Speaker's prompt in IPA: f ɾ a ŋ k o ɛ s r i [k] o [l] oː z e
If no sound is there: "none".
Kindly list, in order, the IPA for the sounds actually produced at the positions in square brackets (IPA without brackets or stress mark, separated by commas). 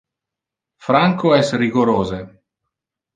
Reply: ɡ, ɾ